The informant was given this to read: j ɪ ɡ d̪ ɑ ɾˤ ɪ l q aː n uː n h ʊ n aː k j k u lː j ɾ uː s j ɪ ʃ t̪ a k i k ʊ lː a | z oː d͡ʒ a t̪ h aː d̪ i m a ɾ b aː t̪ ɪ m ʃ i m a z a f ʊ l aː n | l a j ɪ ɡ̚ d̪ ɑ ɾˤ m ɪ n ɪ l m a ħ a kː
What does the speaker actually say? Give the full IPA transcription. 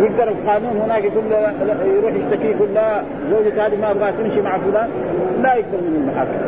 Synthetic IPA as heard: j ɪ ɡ d̪ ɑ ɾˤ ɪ l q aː n uː n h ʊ n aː k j k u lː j ɾ uː ħ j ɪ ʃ t̪ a k i k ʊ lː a | z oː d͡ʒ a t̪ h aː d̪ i m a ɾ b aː t̪ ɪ m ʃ i m a ʕ a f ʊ l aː n | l a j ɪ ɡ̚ d̪ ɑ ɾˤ m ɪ n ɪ l m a ħ a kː